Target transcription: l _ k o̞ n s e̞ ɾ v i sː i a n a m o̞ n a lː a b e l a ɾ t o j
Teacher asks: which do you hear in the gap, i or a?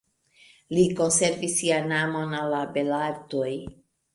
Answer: i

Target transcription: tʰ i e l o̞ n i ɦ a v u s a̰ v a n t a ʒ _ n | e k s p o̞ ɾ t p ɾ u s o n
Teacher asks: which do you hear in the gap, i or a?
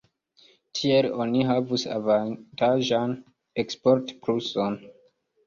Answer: a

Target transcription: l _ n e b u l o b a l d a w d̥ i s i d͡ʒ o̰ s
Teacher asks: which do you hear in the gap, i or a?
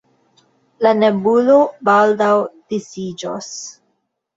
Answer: a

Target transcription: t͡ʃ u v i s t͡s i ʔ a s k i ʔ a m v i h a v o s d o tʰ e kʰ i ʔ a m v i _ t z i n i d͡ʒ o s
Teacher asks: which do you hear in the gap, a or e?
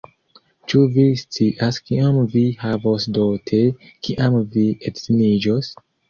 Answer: e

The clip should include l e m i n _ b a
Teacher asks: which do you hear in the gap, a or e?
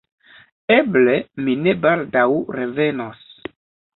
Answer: e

